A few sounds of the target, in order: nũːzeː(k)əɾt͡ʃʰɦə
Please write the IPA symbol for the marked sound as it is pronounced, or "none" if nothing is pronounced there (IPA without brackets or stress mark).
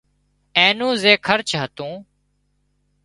kʰ